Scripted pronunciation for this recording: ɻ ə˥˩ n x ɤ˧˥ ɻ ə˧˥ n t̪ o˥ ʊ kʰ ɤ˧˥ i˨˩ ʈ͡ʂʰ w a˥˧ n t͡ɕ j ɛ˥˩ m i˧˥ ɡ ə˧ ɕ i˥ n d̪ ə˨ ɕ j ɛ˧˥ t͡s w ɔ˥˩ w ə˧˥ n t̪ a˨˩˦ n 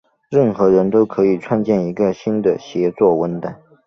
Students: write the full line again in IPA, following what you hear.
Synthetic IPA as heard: ɻ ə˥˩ n x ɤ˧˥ ɻ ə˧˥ n t̪ o˥ ʊ kʰ ɤ˧˥ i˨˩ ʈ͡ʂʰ w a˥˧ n t͡ɕ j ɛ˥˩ n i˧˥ ɡ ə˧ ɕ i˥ n d̪ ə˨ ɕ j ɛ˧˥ t͡s w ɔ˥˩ w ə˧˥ n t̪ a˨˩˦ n